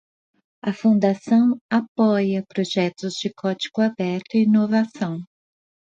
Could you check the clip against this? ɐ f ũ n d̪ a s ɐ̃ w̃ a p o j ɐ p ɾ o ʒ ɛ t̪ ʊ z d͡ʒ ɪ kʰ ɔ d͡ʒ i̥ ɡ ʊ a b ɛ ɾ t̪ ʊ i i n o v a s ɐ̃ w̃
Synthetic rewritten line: ɐ f ũ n d̪ a s ɐ̃ w̃ a p ɔ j ɐ p ɾ o ʒ ɛ t̪ ʊ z d͡ʒ ɪ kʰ ɔ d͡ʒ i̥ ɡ ʊ a b ɛ ɾ t̪ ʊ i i n o v a s ɐ̃ w̃